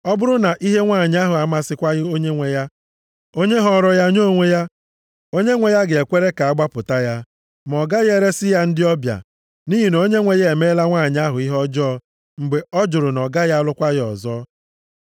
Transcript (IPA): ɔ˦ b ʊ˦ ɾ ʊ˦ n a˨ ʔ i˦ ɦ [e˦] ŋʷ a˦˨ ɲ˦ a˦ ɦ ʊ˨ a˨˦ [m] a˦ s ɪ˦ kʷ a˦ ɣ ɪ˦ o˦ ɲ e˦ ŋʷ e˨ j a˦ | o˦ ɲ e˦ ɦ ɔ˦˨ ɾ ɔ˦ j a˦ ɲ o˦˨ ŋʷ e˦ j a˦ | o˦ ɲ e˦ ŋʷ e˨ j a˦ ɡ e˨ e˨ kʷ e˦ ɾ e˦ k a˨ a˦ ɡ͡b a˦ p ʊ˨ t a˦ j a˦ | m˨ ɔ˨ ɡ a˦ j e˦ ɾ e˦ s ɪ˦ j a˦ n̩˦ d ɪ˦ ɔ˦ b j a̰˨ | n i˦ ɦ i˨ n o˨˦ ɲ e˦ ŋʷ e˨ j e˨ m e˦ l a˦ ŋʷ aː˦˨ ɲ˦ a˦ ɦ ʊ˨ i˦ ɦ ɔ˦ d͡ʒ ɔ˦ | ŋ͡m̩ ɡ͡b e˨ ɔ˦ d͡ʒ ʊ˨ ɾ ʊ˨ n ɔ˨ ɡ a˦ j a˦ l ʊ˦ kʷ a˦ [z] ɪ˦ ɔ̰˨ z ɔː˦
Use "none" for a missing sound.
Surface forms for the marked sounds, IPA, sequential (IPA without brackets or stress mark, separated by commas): e˦, m, ɣ